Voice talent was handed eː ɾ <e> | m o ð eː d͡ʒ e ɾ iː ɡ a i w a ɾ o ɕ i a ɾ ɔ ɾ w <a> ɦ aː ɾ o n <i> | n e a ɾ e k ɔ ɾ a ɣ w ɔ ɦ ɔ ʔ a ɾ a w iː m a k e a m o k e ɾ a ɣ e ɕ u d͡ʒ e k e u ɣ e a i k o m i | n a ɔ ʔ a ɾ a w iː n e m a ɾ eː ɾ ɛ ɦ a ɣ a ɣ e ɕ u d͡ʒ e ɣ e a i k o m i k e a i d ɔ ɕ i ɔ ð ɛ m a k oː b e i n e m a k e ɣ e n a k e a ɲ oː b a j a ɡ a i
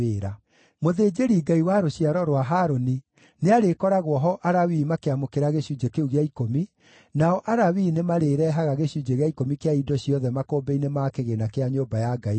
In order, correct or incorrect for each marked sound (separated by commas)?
incorrect, correct, correct